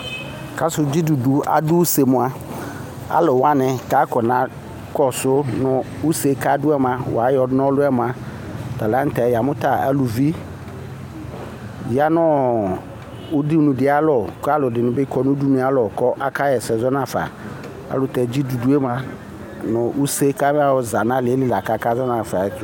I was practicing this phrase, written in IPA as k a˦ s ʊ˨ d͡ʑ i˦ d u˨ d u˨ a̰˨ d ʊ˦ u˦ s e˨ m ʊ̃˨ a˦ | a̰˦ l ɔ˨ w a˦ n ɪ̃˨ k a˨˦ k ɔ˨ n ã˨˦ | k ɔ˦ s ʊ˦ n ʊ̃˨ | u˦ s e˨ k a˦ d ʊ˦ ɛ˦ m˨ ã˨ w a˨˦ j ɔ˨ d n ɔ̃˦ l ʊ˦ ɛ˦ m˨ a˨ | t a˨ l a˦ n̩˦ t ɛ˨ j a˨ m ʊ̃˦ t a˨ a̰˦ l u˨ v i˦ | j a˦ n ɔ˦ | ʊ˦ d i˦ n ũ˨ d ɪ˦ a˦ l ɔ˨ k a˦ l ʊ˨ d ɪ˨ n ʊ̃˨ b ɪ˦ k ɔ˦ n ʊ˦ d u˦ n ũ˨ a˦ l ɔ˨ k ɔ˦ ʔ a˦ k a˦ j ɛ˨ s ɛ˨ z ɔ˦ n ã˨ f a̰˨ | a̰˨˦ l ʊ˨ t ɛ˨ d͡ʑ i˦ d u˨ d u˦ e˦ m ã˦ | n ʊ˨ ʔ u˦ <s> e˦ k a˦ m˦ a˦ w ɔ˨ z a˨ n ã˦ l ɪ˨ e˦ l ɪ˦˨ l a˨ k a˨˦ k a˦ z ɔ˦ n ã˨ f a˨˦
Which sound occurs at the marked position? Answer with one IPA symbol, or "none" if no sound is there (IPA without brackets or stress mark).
s